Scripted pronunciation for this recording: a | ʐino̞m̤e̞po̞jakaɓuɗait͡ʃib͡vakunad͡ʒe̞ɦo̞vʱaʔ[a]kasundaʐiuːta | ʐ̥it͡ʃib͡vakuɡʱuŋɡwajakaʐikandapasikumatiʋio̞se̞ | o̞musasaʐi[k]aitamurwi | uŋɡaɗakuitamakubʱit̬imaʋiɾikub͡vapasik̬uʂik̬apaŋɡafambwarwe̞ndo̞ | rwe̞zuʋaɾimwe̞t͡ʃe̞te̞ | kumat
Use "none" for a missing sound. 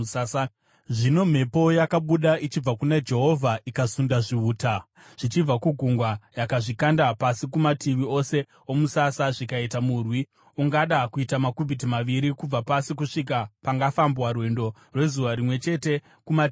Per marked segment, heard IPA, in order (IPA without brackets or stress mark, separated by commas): i, k